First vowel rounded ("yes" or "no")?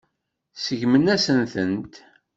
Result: no